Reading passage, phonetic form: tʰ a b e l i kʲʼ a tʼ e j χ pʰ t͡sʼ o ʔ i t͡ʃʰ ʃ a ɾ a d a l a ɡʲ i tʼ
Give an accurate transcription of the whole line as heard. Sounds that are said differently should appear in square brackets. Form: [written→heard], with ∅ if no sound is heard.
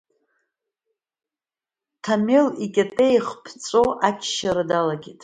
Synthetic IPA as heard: tʰ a [b→m] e l i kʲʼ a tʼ e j χ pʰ t͡sʼ o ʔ [i→a] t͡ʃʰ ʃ a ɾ a d a l a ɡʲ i tʼ